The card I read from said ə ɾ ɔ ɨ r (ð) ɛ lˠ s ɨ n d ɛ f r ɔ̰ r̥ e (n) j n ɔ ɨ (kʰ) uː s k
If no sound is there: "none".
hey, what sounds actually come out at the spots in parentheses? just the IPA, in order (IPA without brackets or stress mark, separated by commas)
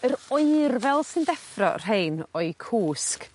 v, none, kʰ